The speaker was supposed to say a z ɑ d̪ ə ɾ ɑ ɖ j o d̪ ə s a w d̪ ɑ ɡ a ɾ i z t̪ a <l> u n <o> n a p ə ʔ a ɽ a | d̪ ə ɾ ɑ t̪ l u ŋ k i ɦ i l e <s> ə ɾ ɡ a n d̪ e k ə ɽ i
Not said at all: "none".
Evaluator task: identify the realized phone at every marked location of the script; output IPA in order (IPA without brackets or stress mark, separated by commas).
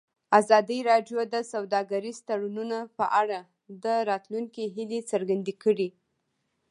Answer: ɽ, u, t͡s